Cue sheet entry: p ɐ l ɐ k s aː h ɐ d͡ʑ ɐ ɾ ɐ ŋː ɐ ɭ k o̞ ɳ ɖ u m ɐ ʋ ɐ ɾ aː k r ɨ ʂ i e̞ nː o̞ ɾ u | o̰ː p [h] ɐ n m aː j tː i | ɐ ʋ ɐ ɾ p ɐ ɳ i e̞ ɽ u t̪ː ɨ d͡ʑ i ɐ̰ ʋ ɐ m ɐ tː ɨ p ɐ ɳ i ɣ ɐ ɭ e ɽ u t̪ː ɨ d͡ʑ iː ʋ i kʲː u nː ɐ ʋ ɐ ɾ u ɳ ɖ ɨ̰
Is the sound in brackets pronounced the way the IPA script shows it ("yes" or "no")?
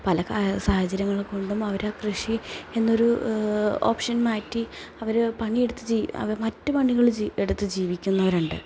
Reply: no